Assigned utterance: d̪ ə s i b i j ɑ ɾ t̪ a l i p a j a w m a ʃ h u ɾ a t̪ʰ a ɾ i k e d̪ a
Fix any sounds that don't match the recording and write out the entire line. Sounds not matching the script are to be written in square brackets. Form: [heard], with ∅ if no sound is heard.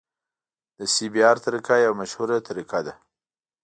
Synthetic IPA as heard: d̪ ə s i b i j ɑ ɾ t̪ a [ɾ] i [k] a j a w m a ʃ h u ɾ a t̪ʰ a ɾ i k [a] d̪ a